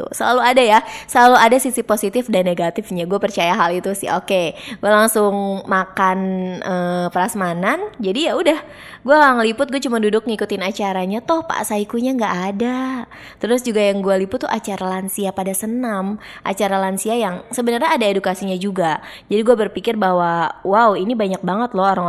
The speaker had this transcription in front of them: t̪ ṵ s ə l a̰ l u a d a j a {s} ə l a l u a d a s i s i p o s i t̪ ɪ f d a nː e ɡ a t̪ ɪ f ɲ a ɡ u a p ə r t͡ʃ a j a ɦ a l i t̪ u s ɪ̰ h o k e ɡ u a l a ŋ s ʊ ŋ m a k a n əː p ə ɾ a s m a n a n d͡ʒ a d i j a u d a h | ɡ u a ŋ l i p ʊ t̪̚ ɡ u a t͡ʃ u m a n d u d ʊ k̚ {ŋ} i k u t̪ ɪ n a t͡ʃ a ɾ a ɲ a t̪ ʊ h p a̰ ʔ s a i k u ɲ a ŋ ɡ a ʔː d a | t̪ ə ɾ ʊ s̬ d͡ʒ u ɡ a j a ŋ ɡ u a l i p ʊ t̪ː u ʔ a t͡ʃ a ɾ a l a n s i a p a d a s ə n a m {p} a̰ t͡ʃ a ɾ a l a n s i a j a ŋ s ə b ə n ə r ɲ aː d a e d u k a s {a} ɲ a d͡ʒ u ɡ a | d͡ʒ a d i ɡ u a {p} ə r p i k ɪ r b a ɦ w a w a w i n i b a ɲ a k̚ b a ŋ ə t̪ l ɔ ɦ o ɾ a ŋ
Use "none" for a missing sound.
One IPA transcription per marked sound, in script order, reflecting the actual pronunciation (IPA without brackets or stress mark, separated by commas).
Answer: s, ŋ, ʔ, i, b